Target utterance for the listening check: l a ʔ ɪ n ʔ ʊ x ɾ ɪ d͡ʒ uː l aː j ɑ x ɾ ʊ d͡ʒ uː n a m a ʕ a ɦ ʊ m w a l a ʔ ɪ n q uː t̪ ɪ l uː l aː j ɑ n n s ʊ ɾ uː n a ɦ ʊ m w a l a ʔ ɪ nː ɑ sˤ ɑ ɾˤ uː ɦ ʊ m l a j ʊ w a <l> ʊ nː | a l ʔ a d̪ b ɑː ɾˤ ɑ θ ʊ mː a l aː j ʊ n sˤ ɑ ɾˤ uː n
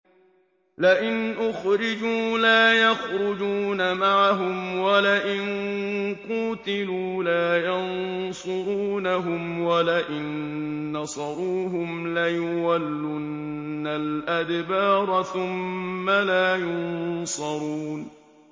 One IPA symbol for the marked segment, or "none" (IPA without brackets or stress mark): lː